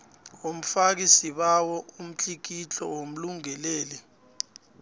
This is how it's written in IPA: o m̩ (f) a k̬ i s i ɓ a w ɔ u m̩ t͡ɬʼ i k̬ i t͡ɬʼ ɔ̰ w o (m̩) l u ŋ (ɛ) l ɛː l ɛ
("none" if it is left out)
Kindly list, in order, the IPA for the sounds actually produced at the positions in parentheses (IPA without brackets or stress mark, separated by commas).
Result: f, m̩, ɛ